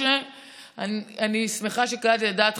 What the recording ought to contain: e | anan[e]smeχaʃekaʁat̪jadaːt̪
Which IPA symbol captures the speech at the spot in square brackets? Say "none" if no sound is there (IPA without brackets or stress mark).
i